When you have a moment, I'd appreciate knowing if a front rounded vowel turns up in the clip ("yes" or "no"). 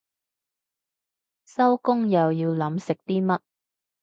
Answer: no